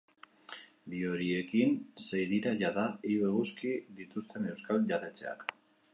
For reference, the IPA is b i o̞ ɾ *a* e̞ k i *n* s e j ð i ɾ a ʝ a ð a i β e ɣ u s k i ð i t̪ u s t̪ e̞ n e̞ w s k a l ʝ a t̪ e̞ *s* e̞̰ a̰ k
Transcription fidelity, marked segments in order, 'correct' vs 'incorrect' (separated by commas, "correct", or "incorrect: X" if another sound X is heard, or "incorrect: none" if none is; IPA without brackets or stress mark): incorrect: i, correct, incorrect: t͡s